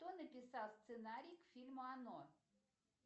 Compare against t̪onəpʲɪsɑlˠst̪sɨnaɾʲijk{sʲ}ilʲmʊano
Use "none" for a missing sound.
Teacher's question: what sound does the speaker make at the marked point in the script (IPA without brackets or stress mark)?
fʲ